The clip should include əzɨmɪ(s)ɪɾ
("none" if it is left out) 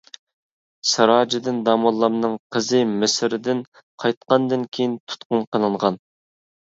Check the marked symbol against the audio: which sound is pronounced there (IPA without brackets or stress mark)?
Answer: s